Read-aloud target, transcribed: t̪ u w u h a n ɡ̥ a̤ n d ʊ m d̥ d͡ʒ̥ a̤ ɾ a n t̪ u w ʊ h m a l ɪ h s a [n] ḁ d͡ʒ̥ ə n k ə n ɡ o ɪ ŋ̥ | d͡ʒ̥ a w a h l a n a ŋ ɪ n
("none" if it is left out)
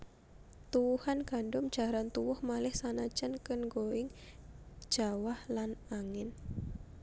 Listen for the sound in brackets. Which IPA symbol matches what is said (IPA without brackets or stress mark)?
n